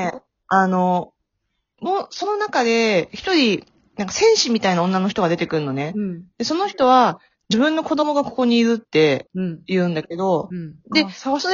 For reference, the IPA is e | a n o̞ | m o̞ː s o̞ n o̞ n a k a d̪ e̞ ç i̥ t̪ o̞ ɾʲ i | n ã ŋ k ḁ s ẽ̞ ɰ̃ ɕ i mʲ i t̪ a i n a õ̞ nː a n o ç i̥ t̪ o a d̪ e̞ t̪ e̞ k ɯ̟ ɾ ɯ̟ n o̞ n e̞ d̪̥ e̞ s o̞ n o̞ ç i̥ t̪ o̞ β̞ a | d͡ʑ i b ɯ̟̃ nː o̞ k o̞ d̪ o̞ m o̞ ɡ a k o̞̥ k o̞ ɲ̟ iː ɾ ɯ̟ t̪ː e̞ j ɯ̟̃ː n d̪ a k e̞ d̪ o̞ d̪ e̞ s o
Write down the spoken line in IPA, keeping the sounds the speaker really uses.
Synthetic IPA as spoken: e | a n o̞ | m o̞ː s o̞ n o̞ n a k a d̪ e̞ ç i̥ t̪ o̞ ɾʲ i | n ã ŋ k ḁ s ẽ̞ ɰ̃ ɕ i mʲ i t̪ a i n a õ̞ nː a n o ç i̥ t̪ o a d̪ e̞ t̪ e̞ k ɯ̟ ɾ ɯ̟ n o̞ n e̞ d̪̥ e̞ s o̞ n o̞ ç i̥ t̪ o̞ β̞ a | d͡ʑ i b ɯ̟̃ nː o̞ k o̞ d̪ o̞ m o̞ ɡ a k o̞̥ k o̞ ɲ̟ iː ɾ ɯ̟ t̪ː e̞ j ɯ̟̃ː n d̪ a k e̞ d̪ o̞ d̪ e̞ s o